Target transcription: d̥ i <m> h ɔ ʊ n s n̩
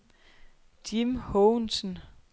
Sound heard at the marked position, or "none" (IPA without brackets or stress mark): m